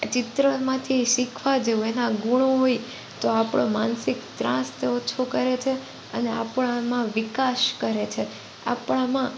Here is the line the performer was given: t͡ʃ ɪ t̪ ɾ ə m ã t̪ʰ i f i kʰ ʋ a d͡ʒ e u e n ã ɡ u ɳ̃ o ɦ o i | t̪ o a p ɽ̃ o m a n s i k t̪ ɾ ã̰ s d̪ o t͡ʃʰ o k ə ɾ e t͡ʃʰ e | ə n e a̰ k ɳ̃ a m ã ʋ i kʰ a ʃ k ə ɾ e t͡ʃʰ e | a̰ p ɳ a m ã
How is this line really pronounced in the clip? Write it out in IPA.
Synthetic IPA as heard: t͡ʃ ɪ t̪ ɾ ə m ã t̪ʰ i ʃ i kʰ ʋ a d͡ʒ e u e n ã ɡ u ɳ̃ o ɦ o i | t̪ o a p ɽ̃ o m a n s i k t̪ ɾ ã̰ s t̪ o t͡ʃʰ o k ə ɾ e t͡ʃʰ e | ə n e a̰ p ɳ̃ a m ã ʋ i k a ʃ k ə ɾ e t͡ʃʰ e | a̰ p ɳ a m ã